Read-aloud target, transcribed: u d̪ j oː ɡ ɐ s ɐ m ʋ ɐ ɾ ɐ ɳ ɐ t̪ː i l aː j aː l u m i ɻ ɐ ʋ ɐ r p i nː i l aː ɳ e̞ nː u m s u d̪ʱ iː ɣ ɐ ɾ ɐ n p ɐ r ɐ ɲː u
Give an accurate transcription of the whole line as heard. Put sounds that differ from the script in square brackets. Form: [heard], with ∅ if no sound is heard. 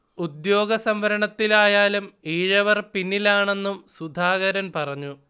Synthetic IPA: u d̪ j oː ɡ ɐ s ɐ m ʋ ɐ ɾ ɐ ɳ ɐ t̪ː i l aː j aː l u m [iː] ɻ ɐ ʋ ɐ r p i nː i l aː ɳ e̞ nː u m s u d̪ʱ [aː] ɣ ɐ ɾ ɐ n p ɐ r ɐ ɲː u